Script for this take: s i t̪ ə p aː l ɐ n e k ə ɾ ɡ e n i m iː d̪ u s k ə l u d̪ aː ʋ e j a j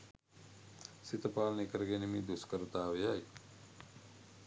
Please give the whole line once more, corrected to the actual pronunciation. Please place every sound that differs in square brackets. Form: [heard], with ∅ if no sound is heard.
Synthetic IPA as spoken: s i t̪ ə p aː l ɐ n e k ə ɾ ɡ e n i m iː d̪ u s k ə [ɾ] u [t̪] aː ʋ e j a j